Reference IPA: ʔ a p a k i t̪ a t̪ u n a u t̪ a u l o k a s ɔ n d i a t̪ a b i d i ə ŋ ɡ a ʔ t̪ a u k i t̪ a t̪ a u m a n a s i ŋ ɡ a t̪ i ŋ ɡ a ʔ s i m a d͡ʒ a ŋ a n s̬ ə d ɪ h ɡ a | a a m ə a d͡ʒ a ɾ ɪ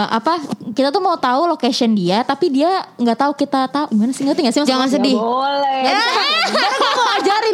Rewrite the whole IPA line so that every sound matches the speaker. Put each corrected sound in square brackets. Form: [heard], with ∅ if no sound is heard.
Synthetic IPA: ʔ a p a k i t̪ a t̪ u [m] a u t̪ a u l o k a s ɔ n d i a t̪ a [p] i d i [a] ŋ ɡ a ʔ t̪ a u k i t̪ a t̪ a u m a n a s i ŋ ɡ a t̪ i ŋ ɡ a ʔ s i m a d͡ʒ a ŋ a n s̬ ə d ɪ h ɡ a | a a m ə a d͡ʒ a ɾ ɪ